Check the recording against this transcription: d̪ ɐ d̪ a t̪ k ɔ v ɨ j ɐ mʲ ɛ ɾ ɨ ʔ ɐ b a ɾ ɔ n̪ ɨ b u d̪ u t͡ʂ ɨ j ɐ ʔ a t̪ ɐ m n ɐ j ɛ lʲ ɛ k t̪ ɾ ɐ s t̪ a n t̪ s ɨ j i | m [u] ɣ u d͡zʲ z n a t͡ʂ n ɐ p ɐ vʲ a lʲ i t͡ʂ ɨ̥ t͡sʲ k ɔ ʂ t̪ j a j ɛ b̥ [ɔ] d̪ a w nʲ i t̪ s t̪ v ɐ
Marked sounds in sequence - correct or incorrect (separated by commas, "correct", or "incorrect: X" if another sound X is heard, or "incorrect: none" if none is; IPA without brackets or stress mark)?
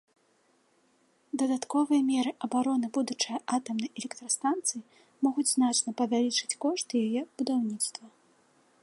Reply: incorrect: ɔ, incorrect: u